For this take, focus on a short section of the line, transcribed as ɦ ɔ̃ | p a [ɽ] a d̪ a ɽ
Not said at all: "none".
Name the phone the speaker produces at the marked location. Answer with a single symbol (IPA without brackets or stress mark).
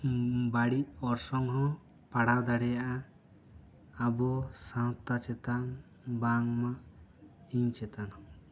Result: ɽ